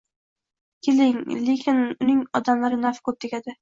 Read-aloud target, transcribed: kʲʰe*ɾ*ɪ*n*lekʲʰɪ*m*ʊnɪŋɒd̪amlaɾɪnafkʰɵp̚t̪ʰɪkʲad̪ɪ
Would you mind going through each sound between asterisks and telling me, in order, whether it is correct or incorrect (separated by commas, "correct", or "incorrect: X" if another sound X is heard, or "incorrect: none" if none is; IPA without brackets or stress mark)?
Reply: incorrect: l, incorrect: ŋ, incorrect: n